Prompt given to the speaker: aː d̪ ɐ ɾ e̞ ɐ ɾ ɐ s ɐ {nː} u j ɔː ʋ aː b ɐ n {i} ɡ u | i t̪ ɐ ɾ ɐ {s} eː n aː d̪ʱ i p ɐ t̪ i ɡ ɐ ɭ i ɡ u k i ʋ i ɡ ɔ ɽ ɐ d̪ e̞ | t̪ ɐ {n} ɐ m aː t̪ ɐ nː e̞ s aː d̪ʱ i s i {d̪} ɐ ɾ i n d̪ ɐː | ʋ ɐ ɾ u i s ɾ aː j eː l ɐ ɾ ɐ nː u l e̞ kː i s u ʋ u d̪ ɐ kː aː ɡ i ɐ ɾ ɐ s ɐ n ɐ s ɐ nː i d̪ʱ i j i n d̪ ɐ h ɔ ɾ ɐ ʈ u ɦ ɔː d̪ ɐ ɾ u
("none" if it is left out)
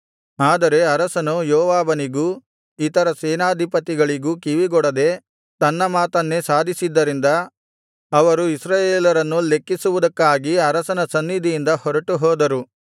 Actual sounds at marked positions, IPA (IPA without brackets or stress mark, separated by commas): n, i, s, nː, d̪ː